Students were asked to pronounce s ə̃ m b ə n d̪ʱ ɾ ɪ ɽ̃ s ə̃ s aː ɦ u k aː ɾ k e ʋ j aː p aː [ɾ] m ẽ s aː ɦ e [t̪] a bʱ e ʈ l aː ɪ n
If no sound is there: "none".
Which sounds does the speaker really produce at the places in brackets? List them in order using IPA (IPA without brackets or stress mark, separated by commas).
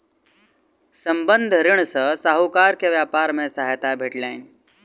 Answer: ɾ, t̪